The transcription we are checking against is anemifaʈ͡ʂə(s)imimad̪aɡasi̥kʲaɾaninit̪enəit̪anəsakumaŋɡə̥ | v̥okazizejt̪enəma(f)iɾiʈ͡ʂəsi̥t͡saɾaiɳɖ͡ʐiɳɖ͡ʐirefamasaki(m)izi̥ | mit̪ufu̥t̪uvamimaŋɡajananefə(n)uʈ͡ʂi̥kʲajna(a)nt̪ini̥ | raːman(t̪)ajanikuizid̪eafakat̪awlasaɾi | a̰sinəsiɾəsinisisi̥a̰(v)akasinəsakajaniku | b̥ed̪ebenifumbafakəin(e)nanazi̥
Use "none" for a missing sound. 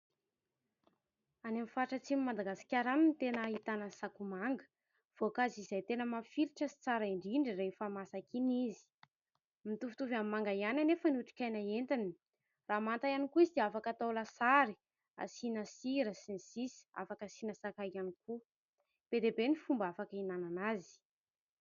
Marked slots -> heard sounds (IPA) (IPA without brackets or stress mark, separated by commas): t͡s, f, n, n, e, t̪, f, a